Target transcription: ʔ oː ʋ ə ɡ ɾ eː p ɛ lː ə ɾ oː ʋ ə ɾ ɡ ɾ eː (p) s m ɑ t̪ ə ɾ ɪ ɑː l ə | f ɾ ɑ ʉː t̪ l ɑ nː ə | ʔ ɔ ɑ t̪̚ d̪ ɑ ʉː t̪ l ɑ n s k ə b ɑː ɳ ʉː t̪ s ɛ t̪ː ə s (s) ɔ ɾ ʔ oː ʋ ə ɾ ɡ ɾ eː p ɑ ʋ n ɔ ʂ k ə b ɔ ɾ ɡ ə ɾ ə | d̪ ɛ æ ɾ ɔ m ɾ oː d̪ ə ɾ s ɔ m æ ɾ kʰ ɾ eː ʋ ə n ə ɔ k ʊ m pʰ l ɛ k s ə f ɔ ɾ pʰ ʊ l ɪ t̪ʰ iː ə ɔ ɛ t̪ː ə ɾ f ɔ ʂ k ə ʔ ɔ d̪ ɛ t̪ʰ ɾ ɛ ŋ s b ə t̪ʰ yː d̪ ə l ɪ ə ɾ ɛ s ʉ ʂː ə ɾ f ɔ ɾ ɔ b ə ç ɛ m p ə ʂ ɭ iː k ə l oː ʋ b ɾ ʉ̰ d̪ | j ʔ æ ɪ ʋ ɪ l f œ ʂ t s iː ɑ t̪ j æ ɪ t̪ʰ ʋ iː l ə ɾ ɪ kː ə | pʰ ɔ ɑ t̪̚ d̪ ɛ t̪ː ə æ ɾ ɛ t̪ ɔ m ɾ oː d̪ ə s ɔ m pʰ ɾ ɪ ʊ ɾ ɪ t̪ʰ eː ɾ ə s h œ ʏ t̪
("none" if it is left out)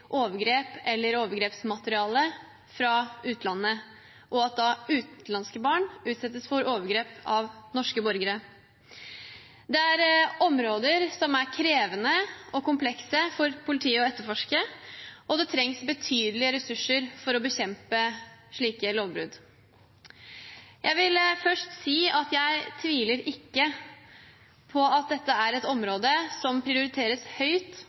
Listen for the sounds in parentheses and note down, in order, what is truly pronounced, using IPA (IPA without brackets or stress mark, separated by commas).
p, f